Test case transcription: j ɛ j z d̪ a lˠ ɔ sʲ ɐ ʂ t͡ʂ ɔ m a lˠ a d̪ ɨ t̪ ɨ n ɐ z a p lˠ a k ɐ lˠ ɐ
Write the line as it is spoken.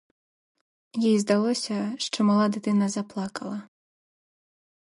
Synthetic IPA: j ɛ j z d̪ a lˠ ɔ sʲ ɐ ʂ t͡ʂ ɔ m a lˠ a d̪ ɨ t̪ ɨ n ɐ z a p lˠ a k ɐ lˠ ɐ